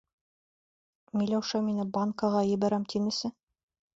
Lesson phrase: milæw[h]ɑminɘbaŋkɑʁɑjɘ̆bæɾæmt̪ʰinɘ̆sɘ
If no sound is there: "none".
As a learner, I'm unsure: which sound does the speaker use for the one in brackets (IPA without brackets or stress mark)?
ʃ